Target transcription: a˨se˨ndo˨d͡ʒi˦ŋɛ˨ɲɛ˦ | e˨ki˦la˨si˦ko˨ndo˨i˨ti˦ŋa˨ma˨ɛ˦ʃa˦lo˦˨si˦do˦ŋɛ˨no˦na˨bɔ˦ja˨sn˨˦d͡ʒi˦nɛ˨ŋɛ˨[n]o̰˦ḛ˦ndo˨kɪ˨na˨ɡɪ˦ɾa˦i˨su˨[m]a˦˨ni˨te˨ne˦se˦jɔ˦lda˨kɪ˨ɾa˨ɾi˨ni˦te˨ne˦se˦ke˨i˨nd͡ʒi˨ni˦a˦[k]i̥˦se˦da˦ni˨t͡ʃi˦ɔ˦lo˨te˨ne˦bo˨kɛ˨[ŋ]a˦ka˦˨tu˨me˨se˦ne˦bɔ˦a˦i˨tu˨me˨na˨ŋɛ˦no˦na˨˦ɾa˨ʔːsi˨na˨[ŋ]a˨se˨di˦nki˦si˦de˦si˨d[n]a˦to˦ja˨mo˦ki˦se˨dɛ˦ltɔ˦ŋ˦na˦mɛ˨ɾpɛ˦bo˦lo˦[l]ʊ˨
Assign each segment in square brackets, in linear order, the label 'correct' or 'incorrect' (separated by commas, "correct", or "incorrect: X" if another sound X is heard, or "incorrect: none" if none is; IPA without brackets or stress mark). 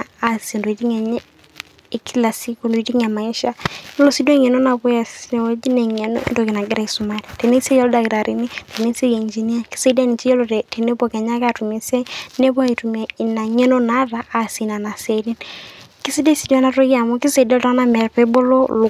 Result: correct, correct, correct, incorrect: ɲ, incorrect: n, correct, correct